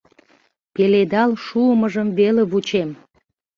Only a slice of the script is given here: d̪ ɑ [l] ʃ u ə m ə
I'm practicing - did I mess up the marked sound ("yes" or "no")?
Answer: no